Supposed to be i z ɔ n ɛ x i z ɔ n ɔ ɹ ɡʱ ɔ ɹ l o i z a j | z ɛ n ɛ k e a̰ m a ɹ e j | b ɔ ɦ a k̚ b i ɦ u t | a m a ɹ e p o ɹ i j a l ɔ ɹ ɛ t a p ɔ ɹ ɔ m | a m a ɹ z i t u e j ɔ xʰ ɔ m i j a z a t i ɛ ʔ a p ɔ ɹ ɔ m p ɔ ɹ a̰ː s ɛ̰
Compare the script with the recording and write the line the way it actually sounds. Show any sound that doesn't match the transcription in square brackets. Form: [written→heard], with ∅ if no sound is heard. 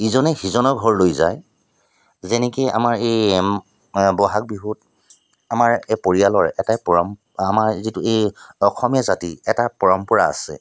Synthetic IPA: i z ɔ n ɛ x i z ɔ n ɔ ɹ ɡʱ ɔ ɹ l o [i→j] z a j | z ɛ n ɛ k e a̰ m a ɹ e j | b ɔ ɦ a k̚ b i ɦ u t | a m a ɹ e p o ɹ i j a l ɔ ɹ ɛ t a p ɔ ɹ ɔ m | a m a ɹ z i t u e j ɔ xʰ ɔ m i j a z a t i ɛ [ʔ→t] a p ɔ ɹ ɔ m p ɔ ɹ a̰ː s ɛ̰